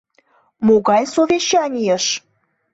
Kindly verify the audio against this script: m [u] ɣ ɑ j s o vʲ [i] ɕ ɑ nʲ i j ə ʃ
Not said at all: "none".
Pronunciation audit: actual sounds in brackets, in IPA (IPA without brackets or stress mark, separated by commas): o, e